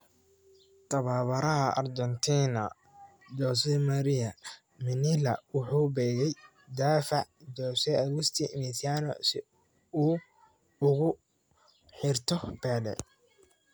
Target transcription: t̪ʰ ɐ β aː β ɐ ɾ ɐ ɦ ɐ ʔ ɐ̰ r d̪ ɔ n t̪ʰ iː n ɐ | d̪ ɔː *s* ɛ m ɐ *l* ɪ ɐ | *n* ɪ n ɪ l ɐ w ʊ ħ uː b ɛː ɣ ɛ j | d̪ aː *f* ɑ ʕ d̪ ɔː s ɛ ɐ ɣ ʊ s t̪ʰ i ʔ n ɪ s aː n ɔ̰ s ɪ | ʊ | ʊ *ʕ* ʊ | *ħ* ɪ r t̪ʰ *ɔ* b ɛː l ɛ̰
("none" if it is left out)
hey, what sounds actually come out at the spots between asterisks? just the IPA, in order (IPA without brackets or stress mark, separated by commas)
s, ɾ, m, f, ɣ, ħ, ɔ